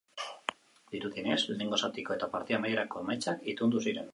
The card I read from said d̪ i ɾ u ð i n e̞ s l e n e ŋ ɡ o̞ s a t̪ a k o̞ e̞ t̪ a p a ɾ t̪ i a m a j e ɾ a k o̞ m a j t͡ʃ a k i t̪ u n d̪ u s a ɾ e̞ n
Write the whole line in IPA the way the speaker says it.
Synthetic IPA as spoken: d̪ i ɾ u ð i n e̞ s l e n e ŋ ɡ o̞ s a t̪ i k o̞ e̞ t̪ a p a ɾ t̪ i a m a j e ɾ a k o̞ m a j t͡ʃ a k i t̪ u n d̪ u s i ɾ e̞ n